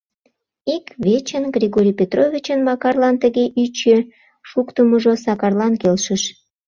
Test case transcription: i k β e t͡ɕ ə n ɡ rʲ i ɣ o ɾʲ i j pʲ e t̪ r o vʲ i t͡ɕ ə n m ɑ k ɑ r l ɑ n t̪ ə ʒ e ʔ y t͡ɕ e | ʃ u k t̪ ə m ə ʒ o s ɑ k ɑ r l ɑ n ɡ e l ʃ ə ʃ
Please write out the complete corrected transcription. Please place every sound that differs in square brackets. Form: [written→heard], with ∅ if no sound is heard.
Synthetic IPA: i k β e t͡ɕ ə n ɡ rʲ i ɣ o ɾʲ i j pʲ e t̪ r o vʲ i t͡ɕ ə n m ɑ k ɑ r l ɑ n t̪ ə [ʒ→ɣ] e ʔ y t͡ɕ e | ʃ u k t̪ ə m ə ʒ o s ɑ k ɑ r l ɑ n [ɡ→k] e l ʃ ə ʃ